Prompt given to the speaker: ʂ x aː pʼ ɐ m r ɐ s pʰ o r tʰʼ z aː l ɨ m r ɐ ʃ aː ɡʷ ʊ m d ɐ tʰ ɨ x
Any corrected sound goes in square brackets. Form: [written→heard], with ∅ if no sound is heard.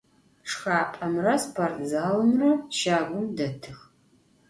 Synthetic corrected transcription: ʂ x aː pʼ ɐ m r ɐ s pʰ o r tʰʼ z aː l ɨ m r ɐ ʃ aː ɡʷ ʊ m d ɐ tʰ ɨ x